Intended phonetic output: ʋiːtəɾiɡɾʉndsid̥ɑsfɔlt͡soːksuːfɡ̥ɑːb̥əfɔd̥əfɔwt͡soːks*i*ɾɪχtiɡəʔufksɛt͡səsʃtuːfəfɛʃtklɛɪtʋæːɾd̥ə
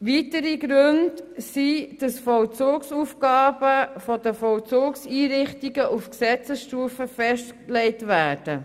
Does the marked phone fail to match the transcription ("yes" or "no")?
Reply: yes